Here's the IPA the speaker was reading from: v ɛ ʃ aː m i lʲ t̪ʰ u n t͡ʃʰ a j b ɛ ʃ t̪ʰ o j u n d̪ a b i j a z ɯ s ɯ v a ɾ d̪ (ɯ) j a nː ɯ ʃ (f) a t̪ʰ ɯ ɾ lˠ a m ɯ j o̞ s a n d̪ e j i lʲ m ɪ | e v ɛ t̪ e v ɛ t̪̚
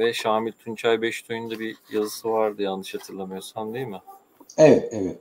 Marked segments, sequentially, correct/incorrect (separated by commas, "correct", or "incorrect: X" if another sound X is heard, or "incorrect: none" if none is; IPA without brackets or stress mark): correct, incorrect: h